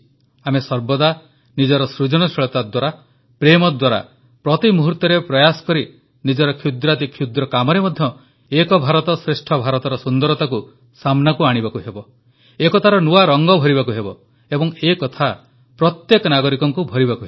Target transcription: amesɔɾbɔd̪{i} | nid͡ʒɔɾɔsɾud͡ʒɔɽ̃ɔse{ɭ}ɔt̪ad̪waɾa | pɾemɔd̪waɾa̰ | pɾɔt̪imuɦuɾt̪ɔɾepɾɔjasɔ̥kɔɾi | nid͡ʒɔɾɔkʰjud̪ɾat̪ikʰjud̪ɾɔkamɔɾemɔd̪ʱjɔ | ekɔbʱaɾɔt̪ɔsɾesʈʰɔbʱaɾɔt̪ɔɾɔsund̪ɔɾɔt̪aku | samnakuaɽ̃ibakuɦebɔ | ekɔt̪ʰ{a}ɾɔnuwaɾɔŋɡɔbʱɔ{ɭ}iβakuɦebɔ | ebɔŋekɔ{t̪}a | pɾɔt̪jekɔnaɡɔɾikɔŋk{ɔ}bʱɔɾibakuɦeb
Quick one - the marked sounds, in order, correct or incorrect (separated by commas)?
incorrect, correct, correct, incorrect, incorrect, incorrect